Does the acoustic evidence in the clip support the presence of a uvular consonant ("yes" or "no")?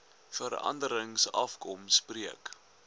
no